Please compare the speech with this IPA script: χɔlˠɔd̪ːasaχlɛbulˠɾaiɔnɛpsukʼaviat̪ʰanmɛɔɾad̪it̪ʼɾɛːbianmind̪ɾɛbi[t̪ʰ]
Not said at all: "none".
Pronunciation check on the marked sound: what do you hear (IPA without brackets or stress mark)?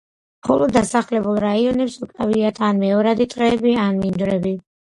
none